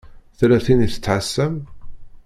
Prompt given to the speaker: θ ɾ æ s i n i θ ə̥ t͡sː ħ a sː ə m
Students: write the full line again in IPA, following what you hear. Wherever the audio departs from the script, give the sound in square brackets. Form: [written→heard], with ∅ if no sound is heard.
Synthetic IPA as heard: θ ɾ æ [s→θ] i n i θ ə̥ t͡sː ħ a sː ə m